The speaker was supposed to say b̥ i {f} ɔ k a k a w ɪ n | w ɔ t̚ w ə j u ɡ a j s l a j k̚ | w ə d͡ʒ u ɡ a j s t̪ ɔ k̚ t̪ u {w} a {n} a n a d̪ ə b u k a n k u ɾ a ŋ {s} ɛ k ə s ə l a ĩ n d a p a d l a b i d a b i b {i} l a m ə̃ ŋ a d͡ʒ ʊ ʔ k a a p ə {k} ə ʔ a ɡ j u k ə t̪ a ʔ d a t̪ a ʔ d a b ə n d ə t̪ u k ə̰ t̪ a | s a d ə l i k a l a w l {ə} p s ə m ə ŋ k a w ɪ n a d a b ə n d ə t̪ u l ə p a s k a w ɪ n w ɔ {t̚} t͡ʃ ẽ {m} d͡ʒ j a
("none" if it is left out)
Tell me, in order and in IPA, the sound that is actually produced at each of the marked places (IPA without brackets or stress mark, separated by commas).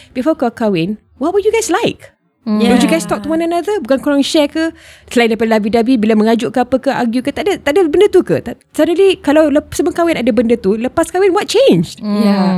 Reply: f, w, n, ʃ, i, k, ə, t̚, n